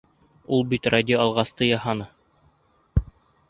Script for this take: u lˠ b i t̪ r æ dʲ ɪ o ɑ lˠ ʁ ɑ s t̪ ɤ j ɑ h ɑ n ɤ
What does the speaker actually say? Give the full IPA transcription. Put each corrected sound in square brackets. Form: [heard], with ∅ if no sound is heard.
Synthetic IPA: u lˠ b i t̪ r [a] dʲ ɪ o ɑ lˠ ʁ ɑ s t̪ ɤ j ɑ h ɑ n ɤ